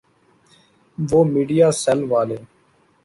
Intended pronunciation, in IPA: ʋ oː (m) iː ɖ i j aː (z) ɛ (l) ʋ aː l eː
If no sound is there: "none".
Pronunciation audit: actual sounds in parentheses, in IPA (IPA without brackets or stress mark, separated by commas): m, s, l